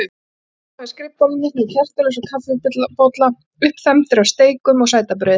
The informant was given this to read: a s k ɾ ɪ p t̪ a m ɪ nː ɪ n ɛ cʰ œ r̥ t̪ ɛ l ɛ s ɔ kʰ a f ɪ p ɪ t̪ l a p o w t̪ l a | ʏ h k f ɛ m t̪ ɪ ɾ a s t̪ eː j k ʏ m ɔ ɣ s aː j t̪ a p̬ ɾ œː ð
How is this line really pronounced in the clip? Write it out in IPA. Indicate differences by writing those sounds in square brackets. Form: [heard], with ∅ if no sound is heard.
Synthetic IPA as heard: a s k ɾ ɪ p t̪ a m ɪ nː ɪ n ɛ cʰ [ɛ] r̥ t̪ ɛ l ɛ s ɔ kʰ a f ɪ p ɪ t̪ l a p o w t̪ l a | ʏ h [p] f ɛ m t̪ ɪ ɾ a s t̪ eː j k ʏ m ɔ ɣ s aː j t̪ a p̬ ɾ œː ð